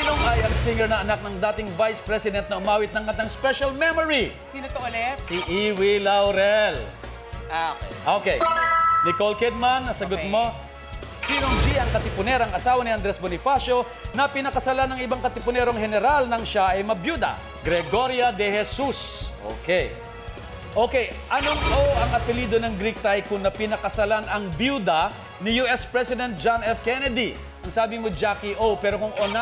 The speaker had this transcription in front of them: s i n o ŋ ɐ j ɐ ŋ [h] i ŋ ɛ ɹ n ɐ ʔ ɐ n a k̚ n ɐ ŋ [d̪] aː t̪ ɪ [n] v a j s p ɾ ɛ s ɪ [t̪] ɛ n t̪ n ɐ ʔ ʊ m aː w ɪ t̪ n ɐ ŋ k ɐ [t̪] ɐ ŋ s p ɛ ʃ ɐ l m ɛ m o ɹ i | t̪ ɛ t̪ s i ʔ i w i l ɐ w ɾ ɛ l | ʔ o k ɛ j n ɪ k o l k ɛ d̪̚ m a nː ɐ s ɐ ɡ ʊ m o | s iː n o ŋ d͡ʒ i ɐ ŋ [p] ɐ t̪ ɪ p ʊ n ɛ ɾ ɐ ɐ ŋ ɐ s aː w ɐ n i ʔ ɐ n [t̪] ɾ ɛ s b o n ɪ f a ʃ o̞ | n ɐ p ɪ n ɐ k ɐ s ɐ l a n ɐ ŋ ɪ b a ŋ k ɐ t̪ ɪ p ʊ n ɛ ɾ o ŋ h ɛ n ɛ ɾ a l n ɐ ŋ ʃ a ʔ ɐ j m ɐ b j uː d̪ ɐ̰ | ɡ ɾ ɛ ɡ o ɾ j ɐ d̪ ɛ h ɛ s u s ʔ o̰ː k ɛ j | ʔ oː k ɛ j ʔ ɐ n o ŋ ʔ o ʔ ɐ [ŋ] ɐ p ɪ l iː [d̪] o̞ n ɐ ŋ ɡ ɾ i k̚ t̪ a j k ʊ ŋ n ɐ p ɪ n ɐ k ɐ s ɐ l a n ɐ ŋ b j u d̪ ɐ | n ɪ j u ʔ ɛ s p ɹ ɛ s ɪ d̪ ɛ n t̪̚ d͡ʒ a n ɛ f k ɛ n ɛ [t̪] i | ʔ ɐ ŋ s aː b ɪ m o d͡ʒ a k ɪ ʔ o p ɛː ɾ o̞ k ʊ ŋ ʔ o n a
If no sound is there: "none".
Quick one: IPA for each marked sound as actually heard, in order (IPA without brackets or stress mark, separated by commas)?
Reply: s, d̪, ŋ, d̪, t̪, k, d̪, ŋ, d̪, d̪